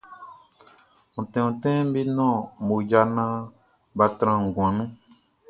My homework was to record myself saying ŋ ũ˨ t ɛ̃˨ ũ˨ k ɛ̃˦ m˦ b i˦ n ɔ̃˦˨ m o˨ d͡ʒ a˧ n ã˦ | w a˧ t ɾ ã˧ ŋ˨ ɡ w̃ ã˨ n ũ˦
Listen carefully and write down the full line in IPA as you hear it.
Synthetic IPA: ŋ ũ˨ t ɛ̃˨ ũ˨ t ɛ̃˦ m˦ b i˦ n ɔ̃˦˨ m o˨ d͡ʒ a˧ n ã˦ | b a˧ t ɾ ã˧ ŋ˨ ɡ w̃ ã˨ n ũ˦